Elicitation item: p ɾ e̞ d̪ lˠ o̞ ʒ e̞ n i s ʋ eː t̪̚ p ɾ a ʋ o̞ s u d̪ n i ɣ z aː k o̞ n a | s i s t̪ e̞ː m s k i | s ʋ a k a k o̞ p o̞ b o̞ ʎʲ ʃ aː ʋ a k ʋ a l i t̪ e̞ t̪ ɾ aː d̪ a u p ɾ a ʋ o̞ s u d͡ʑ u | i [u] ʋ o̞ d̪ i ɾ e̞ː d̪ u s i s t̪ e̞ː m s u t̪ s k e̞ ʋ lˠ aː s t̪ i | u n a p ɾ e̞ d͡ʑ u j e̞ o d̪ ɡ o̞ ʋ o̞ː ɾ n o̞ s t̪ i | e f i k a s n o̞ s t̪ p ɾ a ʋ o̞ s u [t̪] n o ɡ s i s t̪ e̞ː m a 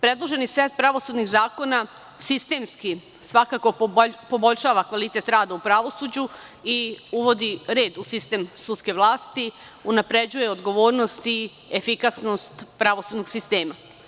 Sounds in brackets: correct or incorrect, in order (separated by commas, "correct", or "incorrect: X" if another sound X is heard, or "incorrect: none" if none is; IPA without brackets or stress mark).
correct, incorrect: d̪